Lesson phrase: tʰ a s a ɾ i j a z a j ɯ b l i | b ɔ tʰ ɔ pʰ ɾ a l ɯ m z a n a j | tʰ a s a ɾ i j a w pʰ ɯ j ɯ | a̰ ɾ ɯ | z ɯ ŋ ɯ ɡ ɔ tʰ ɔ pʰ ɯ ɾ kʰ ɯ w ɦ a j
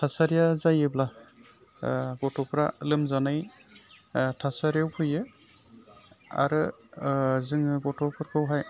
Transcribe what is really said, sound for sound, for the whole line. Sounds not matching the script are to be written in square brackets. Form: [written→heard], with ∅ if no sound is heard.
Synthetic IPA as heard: tʰ a s a ɾ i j a z a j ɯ b l [i→a] | [b→ɡ] ɔ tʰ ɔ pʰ ɾ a l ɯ m z a n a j | tʰ a s a ɾ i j a w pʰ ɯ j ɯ | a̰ ɾ ɯ | z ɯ ŋ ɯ ɡ ɔ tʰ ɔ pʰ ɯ ɾ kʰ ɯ w ɦ a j